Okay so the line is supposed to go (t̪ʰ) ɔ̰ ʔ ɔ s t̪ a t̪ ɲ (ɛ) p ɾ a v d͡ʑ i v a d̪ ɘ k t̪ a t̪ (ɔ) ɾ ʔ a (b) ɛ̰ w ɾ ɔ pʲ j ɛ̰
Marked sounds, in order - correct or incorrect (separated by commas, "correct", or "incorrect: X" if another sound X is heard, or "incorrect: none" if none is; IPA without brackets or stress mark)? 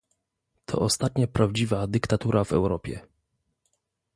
correct, incorrect: a, incorrect: u, incorrect: v